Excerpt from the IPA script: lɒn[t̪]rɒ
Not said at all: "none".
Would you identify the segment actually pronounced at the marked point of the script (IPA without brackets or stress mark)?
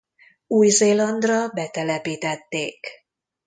d̪